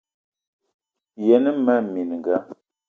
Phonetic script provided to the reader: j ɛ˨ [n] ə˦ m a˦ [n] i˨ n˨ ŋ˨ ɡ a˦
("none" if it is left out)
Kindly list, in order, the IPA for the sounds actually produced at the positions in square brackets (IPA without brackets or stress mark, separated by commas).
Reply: n, m